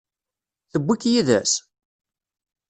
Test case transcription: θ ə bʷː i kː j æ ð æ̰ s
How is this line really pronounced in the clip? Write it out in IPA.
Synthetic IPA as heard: θ ə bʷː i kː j i ð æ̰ s